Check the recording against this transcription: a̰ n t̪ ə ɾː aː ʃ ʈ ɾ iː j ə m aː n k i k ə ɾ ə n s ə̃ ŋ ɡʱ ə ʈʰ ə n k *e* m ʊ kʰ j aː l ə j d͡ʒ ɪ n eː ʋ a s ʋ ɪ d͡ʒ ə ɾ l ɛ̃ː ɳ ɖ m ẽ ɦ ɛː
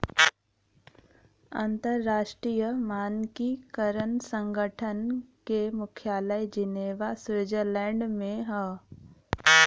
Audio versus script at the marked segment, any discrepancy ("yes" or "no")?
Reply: no